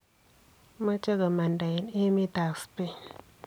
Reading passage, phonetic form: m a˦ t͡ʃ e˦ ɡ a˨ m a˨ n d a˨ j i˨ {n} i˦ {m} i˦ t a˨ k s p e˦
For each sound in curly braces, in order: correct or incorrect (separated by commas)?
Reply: correct, correct